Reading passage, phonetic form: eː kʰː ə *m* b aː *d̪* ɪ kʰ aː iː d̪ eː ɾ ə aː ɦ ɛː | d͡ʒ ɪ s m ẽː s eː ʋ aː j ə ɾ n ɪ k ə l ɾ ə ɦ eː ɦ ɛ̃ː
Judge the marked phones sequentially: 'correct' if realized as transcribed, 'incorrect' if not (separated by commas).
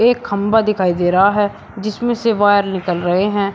correct, correct